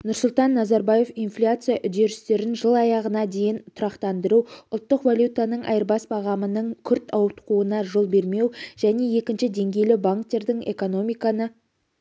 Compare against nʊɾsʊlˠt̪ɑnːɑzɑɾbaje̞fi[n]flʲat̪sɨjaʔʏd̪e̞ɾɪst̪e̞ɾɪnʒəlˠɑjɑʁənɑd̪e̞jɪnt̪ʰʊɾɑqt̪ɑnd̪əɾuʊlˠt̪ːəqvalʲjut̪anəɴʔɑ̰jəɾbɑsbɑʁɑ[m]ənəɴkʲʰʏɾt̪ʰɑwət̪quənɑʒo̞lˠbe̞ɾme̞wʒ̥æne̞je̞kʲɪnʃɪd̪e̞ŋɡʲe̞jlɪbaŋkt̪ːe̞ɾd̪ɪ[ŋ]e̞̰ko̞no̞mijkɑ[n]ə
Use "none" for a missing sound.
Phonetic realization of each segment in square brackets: n, m, ŋ, n

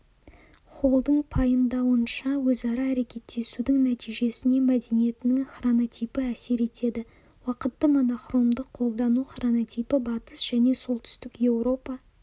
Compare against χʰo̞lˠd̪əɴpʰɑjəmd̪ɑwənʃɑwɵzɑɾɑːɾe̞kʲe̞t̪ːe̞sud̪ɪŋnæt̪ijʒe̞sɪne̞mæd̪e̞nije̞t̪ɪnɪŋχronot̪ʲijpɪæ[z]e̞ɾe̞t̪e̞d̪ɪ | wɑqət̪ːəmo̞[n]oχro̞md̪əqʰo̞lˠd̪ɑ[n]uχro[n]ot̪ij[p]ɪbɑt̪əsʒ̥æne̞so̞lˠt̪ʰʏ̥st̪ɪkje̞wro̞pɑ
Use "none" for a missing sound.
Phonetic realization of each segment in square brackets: s, n, n, n, p

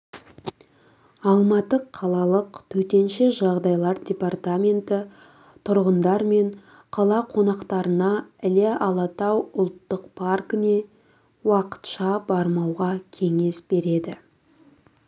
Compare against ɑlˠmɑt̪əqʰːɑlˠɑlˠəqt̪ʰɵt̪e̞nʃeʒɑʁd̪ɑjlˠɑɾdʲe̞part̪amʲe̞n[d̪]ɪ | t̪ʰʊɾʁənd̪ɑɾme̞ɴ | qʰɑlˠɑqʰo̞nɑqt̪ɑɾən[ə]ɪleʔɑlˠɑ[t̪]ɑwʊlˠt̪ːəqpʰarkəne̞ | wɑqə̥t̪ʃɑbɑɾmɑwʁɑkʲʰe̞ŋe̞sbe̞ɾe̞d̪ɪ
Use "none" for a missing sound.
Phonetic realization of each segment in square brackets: t̪, ɑ, t̪

